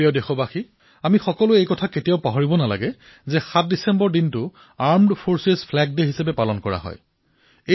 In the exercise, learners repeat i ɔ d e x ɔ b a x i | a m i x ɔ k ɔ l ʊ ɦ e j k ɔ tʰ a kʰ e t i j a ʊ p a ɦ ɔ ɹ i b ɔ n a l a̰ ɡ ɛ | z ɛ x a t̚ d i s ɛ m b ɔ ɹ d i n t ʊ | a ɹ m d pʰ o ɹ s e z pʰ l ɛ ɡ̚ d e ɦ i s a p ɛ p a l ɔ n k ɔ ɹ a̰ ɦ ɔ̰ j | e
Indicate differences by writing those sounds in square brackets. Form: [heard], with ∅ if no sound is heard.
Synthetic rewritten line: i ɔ d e x ɔ b a x i | a m i x ɔ k ɔ l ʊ [∅] e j k ɔ tʰ a [k] e t i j a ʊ p a ɦ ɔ ɹ i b ɔ n a l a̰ ɡ ɛ | z ɛ x a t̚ d i s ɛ m b ɔ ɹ d i n t ʊ | a ɹ m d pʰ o ɹ s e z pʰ l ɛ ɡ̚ d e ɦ i s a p ɛ p a l ɔ n k ɔ ɹ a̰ ɦ ɔ̰ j | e